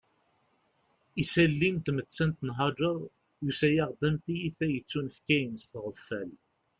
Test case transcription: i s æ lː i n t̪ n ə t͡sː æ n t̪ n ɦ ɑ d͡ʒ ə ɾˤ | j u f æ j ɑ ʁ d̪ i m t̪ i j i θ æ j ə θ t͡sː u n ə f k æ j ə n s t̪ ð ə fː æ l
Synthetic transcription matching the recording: i s æ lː i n t̪ m ə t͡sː æ n t̪ n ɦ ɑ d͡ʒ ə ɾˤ | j u s æ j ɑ ʁ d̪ æ m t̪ i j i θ æ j ə t͡sː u n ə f k æ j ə n s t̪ ʁ ə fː æ l

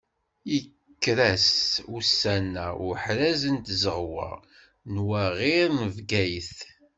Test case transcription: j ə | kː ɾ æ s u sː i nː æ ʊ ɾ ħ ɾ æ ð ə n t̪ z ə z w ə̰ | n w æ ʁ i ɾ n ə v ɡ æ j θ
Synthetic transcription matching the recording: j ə | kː ɾ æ s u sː æ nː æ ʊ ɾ ħ ɾ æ z ə n t̪ z ə ʁ w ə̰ | n w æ ʁ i ɾ n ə v ɡ æ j θ

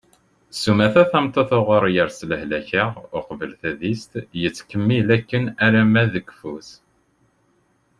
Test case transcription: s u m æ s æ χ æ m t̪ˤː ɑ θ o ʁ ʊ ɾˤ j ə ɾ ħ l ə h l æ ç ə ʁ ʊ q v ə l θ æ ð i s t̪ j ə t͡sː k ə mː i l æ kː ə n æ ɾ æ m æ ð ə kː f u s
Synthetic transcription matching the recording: s u m æ θ æ θ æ m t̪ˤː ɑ θ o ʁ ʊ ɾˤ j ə ɾ s l ə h l æ ç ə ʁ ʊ q v ə l θ æ ð i s t̪ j ə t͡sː k ə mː i l æ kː ə n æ ɾ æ m æ ð ə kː f u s

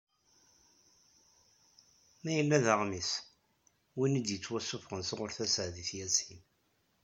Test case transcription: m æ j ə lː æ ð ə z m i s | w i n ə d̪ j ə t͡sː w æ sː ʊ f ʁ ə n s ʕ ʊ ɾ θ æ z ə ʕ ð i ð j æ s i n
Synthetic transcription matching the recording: m æ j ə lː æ ð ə ʁ m i s | w i n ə d̪ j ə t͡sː w æ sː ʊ f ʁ ə n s ʁ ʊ ɾ θ æ s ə ʕ ð i θ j æ s i n

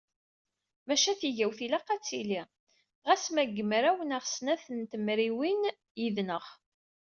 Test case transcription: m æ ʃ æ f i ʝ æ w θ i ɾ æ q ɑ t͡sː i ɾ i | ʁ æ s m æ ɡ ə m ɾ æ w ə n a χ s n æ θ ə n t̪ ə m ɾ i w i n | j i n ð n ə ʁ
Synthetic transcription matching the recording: m æ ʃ æ θ i ʝ æ w θ i l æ q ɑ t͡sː i l i | ʁ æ s m æ ɡ ə m ɾ æ w ə n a ʁ s n æ θ ə n t̪ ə m ɾ i w i n | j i ð n ə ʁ

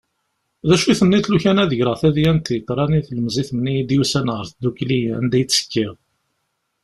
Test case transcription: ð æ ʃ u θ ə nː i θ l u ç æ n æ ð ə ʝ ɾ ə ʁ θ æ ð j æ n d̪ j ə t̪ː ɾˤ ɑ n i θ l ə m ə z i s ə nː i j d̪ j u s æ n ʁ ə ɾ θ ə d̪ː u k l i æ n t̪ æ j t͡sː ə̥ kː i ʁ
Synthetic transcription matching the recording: ð æ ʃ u θ ə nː i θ l u ç æ n æ ð ə ʝ ɾ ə ʁ θ æ ð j æ n t̪ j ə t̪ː ɾˤ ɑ n i θ l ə m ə z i θ ə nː i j d̪ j u s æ n ʁ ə ɾ θ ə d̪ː u k l i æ n d̪ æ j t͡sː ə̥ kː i ʁ

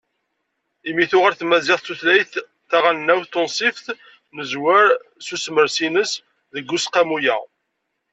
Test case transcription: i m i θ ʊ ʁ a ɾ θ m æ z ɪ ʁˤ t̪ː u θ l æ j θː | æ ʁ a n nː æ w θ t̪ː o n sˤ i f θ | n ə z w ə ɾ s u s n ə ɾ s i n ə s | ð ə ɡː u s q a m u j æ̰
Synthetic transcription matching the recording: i m i θ ʊ ʁ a ɾ θ m æ z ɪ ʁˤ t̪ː u θ l æ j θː | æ ʁ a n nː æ w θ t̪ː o n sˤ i f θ | n ə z w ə ɾ s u s m ə ɾ s i n ə s | ð ə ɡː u s q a m u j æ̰

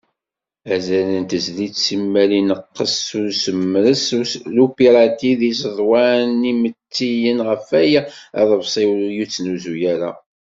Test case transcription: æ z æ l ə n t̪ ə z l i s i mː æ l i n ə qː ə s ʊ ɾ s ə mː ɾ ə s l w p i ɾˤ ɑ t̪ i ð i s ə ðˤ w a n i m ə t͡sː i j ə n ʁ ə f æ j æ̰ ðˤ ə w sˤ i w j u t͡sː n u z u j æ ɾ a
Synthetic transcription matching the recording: æ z æ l ə n t̪ ə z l i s i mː æ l i n ə qː ə s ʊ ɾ s ə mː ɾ ə s l u p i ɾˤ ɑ t̪ i ð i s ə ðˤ w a n i m ə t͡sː i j ə n ʁ ə f æ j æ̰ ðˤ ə v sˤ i w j u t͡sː n u z u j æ ɾ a

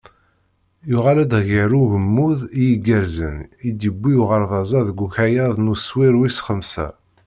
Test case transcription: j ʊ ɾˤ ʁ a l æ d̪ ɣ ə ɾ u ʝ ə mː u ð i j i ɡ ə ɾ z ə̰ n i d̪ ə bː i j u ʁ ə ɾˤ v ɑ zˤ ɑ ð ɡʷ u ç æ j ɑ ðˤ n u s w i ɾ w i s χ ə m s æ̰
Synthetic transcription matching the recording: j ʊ ʁ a l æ d̪ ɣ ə ɾ u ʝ ə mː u ð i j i ɡ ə ɾ z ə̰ n i d̪ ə bː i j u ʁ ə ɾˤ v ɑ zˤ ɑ ð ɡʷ u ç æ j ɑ ðˤ n u s w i ɾ w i s χ ə m s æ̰

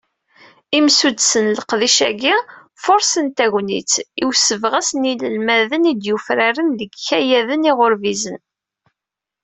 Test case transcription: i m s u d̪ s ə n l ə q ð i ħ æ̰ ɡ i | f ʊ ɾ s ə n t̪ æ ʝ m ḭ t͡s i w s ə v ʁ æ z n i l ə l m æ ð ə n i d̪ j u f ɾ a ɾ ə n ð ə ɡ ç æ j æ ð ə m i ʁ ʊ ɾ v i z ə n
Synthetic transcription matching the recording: i m s u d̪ s ə n l ə q ð i ʃ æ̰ ɡ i | f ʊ ɾ s ə n t̪ æ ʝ n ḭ t͡s i w s ə v ʁ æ s n i l ə l m æ ð ə n i d̪ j u f ɾ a ɾ ə n ð ə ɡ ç æ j æ ð ə n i ʁ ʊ ɾ v i z ə n

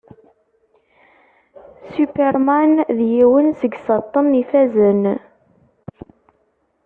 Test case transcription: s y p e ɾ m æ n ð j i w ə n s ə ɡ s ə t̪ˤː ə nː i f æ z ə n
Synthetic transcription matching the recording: s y p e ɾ m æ n ð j i w ə n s ə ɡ s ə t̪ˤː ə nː i f æ z ə n

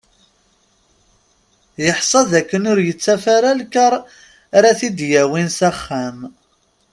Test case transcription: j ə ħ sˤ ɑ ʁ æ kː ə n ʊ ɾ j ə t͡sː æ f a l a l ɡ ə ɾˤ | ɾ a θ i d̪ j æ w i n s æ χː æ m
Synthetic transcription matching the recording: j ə ħ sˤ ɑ ð æ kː ə n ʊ ɾ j ə t͡sː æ f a ɾ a l k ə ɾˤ | ɾ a θ i d̪ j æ w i n s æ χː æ m

